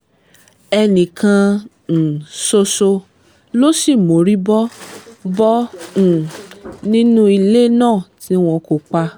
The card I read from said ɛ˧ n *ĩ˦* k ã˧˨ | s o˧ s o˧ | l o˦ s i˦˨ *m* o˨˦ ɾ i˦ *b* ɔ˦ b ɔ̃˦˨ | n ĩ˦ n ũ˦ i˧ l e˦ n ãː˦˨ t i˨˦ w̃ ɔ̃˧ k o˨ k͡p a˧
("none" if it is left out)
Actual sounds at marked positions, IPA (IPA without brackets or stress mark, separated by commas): ĩ˨, m, b